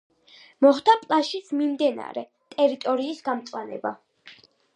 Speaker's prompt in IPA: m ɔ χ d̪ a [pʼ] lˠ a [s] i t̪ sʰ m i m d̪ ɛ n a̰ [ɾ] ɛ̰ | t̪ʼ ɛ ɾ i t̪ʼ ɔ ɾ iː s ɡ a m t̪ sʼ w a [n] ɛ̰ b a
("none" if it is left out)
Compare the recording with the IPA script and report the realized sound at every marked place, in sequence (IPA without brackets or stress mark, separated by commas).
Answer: pʼ, ʃ, ɾ, n